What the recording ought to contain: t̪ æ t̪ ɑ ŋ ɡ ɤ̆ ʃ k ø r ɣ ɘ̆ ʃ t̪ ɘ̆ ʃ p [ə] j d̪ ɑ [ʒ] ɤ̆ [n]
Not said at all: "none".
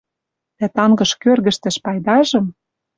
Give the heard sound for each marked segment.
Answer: ɑ, ʒ, m

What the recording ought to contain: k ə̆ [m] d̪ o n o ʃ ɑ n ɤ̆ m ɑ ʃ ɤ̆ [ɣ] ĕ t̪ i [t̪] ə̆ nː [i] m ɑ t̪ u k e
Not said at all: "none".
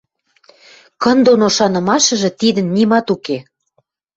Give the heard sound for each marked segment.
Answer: n, ʒ, d̪, i

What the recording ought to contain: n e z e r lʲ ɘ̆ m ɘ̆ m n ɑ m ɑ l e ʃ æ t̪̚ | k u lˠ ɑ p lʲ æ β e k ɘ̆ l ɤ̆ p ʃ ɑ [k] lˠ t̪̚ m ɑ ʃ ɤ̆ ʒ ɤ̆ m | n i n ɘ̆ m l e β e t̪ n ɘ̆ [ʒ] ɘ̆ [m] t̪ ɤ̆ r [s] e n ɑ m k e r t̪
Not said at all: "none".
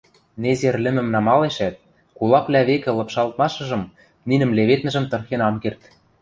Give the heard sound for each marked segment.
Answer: none, ʒ, m, x

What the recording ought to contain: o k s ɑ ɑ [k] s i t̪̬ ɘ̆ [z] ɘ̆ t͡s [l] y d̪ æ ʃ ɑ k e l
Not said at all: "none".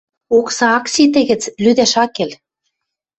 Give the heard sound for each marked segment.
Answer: k, ɣ, l

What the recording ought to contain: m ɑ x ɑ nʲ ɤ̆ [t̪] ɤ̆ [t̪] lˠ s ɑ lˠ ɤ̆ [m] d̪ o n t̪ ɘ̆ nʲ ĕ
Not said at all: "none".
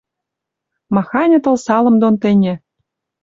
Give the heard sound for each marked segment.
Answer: t̪, none, m

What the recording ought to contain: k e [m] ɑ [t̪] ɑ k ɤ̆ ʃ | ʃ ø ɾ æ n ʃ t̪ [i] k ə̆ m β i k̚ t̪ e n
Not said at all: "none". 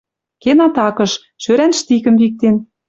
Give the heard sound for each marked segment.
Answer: n, t̪, i

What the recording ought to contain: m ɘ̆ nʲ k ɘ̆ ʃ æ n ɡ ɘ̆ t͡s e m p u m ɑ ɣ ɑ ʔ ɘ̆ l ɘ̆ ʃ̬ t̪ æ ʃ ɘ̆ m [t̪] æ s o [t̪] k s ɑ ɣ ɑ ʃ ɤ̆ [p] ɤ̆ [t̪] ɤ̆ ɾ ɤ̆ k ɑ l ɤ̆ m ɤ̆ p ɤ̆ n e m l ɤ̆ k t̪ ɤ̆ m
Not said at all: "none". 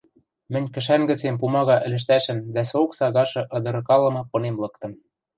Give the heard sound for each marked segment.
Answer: d̪, none, ʔ, d̪

